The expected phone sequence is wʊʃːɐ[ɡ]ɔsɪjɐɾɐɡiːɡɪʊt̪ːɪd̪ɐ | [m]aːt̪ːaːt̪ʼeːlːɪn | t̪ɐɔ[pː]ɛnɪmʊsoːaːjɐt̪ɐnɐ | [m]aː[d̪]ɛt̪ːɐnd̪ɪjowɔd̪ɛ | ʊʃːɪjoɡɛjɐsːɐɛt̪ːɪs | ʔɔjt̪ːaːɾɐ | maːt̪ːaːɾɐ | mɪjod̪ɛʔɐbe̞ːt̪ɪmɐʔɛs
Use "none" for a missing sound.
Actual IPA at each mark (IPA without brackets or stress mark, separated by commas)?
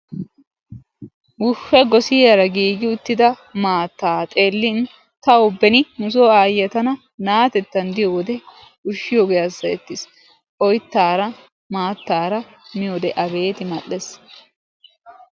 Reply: ɡ, m, bː, n, t̪